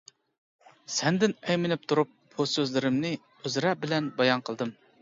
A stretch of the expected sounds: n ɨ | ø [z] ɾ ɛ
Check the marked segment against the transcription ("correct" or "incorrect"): correct